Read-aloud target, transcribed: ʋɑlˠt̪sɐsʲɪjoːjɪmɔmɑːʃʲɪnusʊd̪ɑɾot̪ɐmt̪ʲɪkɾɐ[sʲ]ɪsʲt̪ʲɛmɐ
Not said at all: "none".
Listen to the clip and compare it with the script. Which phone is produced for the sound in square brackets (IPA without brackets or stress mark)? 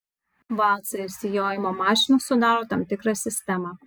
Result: sʲ